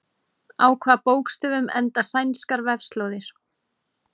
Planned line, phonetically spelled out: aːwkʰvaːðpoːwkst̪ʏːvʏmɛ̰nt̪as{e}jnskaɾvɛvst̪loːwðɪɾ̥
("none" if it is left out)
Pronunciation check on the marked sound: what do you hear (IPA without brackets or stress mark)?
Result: a